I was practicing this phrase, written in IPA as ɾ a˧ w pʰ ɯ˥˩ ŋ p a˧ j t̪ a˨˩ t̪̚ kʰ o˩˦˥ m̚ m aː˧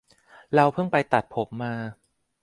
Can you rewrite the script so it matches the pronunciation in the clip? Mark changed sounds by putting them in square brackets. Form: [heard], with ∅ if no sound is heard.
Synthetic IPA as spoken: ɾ a˧ w pʰ ɯ˥˩ ŋ p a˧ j t̪ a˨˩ t̪̚ [pʰ] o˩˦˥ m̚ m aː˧

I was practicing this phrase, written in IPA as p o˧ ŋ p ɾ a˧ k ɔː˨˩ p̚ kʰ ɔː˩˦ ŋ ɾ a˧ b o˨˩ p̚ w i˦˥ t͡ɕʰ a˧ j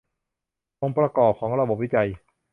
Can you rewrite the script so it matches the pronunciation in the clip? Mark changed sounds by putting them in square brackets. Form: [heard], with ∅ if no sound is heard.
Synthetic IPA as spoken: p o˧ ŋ p ɾ a˧ k ɔː˨˩ p̚ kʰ ɔː˩˦ ŋ ɾ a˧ b o˨˩ p̚ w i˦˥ [t͡ɕ] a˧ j

